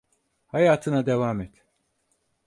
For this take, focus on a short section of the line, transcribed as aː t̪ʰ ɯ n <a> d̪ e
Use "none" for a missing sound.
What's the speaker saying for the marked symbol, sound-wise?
a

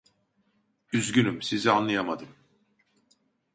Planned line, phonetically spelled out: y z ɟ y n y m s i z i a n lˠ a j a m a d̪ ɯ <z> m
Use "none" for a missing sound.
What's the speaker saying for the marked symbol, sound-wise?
none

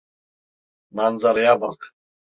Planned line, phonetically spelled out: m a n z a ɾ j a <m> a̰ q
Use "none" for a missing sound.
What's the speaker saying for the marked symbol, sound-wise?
b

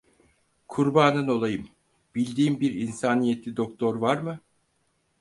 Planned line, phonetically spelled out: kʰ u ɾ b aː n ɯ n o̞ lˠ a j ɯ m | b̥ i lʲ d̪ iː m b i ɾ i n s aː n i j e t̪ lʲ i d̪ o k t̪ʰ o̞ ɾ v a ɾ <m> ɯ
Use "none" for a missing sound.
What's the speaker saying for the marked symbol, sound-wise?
m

